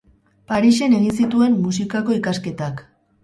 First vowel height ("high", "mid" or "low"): low